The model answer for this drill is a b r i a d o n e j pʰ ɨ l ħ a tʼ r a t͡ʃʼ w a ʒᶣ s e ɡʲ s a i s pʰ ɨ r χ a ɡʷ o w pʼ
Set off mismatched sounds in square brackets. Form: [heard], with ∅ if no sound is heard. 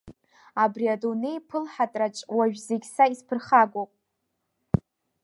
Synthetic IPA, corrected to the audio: a b r i a d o n e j pʰ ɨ l ħ a tʼ r a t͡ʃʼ w a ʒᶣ [z] e ɡʲ s a i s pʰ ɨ r χ a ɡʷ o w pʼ